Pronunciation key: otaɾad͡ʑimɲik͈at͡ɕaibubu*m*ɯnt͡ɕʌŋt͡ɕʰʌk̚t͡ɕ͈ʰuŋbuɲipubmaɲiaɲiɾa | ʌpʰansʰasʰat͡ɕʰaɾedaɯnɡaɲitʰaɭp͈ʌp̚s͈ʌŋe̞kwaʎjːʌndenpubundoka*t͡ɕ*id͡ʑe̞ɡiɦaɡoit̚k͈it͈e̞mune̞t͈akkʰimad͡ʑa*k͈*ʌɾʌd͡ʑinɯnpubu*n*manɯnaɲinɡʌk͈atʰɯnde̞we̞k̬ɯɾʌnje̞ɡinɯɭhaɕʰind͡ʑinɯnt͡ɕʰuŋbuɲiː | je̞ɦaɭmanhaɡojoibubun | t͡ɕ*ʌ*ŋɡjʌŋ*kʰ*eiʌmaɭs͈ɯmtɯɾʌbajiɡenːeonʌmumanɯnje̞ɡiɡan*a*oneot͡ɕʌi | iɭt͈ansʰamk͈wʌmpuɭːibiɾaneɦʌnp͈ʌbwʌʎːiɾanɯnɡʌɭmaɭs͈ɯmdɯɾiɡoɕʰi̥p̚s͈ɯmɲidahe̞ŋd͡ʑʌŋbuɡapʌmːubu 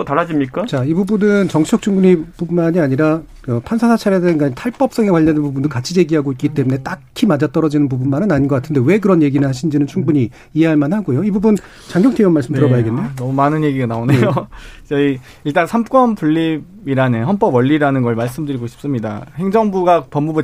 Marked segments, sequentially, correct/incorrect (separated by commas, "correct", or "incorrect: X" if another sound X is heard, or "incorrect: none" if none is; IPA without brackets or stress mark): incorrect: n, incorrect: t͡ɕʰ, incorrect: t͈, correct, incorrect: a, incorrect: tʰ, correct